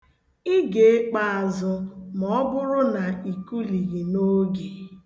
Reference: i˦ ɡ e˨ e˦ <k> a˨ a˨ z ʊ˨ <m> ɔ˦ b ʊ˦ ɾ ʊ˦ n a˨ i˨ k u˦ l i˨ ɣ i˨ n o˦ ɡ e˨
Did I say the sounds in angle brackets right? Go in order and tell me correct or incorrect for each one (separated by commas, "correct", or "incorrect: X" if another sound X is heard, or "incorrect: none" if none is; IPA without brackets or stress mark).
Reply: incorrect: k͡p, correct